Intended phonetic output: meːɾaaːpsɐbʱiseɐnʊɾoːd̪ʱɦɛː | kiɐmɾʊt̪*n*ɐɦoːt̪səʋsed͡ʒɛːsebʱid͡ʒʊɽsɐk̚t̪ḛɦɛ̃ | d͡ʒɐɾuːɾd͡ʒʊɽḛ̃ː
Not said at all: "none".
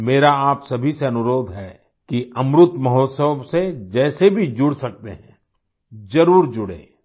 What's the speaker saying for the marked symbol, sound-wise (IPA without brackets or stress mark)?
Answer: m